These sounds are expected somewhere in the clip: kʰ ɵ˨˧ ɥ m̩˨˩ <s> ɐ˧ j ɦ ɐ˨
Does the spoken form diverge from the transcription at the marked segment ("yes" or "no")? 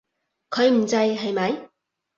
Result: yes